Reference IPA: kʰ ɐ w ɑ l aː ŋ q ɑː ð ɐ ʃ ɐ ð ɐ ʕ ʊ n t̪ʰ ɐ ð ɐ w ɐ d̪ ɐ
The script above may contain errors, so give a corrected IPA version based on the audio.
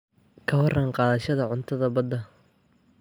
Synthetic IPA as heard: kʰ ɐ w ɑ r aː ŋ q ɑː ð ɐ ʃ ɐ ð ɐ ʕ ʊ n t̪ʰ ɐ ð ɐ b ɐ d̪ ɐ